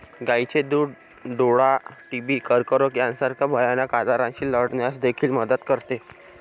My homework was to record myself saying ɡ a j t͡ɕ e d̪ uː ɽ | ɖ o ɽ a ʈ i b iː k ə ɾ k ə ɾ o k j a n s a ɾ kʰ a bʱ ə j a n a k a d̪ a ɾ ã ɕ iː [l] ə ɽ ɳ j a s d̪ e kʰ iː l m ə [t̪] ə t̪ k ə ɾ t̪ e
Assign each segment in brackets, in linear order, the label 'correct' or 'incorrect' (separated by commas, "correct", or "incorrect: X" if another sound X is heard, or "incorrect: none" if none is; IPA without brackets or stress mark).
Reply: correct, incorrect: d̪